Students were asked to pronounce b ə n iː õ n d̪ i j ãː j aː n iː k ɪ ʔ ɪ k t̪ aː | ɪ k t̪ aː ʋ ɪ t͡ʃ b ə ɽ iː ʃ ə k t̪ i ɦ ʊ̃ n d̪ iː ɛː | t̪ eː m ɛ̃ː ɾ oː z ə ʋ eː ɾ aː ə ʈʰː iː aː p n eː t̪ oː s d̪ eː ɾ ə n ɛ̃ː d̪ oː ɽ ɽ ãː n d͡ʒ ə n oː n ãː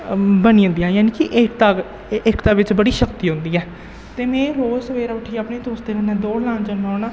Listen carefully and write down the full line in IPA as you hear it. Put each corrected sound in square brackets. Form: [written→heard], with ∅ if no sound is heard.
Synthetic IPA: b ə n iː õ n d̪ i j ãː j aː n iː k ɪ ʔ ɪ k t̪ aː | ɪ k t̪ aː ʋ ɪ t͡ʃ b ə ɽ iː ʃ ə k t̪ [i→iː] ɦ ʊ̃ n d̪ iː ɛː | t̪ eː m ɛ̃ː ɾ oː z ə ʋ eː ɾ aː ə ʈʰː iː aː p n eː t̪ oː s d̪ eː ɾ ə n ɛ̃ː d̪ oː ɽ [ɽ→l] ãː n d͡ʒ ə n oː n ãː